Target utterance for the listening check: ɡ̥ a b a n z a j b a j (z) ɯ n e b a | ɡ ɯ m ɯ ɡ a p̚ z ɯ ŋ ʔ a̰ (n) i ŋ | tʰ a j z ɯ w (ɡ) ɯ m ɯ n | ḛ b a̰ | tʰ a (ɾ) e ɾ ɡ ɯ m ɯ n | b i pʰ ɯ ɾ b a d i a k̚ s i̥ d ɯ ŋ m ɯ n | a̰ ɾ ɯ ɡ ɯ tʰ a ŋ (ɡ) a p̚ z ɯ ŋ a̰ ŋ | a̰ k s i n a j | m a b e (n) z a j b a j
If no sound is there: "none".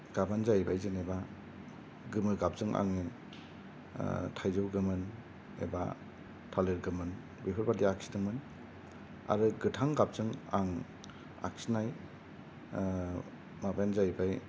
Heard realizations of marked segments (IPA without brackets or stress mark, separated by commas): z, ŋ, ɡ, l, ɡ, n